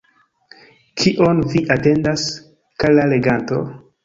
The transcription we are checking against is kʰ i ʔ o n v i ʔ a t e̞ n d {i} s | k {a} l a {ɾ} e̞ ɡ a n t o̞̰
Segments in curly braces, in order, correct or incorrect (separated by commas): incorrect, correct, incorrect